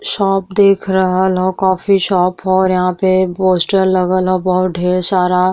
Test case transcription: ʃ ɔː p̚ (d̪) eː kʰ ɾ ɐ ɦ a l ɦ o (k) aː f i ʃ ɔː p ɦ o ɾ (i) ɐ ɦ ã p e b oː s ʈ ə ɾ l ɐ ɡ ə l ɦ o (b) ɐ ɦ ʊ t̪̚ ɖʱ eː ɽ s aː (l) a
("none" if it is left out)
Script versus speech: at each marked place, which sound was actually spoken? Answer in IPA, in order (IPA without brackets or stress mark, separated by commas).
d̪, k, j, b, ɾ